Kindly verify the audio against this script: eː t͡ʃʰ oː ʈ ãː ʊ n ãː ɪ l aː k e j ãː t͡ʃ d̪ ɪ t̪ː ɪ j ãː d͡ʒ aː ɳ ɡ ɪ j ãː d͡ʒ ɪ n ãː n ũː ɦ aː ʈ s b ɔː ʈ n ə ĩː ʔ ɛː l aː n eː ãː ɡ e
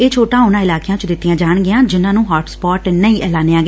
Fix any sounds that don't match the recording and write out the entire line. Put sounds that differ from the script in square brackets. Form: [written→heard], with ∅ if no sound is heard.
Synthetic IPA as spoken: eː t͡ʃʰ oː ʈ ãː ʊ n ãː ɪ l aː k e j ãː t͡ʃ d̪ ɪ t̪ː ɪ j ãː d͡ʒ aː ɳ ɡ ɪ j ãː d͡ʒ ɪ n ãː n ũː ɦ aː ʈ s [b→p] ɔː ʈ n ə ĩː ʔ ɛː l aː n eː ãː ɡ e